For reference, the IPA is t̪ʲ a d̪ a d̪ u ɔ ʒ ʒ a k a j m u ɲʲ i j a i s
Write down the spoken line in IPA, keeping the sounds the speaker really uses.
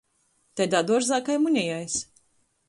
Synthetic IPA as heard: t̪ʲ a d̪ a d̪ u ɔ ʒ z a k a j m u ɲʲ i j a j s